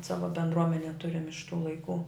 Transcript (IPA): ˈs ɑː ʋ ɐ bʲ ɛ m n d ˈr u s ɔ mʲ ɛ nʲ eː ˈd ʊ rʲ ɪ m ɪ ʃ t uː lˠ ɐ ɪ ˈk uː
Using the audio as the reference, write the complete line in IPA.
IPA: ˈs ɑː ʋ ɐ bʲ ɛ n d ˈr u ɔ mʲ ɛ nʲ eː ˈt ʊ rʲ ɪ m ɪ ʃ t uː lˠ ɐ ɪ ˈk uː